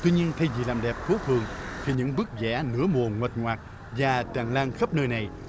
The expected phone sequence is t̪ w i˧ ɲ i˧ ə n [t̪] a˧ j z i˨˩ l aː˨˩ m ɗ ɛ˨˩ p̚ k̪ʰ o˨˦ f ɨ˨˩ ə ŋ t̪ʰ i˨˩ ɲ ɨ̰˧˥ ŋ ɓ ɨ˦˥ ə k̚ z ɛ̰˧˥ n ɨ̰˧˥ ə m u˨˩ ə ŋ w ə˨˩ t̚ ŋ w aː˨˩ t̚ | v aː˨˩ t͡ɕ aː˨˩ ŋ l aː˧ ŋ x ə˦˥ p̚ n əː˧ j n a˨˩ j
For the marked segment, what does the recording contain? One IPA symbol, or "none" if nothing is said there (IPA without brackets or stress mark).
t̪ʰ